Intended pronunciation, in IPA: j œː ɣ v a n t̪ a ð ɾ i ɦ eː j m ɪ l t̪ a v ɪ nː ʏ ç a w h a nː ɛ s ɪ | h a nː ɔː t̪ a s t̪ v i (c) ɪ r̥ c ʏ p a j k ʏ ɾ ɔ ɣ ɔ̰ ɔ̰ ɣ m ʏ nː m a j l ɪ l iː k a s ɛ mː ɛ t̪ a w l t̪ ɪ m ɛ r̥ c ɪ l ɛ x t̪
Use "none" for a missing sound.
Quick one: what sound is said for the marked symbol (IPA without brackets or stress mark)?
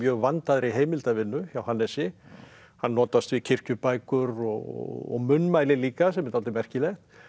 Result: cʰ